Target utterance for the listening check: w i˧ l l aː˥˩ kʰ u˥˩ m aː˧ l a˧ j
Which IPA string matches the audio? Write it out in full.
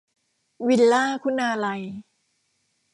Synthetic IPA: w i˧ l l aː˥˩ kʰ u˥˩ n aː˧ l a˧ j